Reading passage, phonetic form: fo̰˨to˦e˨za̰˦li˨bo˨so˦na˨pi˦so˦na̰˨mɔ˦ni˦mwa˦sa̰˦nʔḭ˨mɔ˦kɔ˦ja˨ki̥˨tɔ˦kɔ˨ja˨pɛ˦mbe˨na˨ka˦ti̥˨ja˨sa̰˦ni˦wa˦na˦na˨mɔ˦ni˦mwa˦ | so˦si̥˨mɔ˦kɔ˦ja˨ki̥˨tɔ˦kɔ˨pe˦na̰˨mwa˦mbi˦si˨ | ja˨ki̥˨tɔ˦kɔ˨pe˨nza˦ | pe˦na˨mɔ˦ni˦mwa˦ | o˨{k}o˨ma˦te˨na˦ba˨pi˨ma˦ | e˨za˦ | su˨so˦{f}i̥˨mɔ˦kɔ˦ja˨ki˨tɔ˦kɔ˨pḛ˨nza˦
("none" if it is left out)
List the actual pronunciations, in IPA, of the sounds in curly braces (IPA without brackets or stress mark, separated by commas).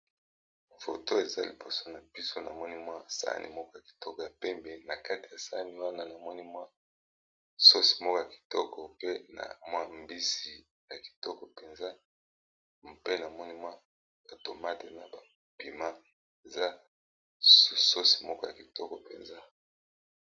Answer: t, s